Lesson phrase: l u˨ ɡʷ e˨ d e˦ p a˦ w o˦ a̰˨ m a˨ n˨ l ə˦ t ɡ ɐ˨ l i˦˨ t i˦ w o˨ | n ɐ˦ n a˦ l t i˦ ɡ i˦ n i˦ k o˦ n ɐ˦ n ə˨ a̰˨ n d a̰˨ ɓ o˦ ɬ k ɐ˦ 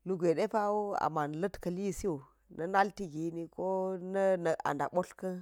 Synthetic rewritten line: l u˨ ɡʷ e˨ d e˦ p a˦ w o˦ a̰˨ m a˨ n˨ l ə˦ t k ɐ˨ l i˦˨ s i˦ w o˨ | n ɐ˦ n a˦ l t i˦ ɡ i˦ n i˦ k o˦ n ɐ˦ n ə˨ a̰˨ n d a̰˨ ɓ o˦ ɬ k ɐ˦